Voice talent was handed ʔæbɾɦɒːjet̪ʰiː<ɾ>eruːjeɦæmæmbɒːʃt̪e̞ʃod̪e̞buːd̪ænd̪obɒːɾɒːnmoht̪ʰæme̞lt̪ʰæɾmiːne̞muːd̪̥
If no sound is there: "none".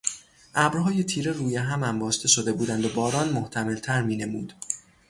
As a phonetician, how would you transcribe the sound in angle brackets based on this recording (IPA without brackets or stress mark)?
ɾ